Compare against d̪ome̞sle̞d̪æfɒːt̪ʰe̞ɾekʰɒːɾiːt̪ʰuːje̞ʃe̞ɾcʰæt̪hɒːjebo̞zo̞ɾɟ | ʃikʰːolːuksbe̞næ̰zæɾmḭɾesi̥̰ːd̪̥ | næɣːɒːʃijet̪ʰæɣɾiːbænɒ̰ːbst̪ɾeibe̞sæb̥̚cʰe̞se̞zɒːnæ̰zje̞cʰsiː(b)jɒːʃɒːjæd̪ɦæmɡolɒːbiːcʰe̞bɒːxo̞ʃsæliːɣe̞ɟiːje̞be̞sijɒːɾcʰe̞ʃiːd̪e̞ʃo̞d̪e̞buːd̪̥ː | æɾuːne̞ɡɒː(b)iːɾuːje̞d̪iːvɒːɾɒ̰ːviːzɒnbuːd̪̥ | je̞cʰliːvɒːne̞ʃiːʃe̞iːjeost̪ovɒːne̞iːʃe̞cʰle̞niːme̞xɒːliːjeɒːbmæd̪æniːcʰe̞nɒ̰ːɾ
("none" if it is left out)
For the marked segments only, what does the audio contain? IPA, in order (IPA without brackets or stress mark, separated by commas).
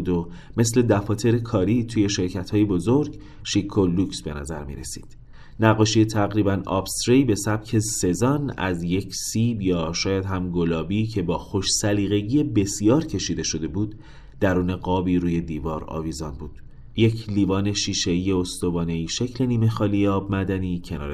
b, b